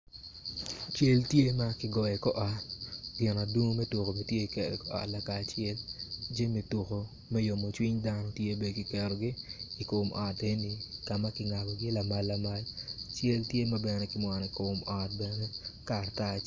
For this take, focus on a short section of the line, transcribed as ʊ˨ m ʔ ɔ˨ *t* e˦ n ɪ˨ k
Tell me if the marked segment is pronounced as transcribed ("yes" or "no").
yes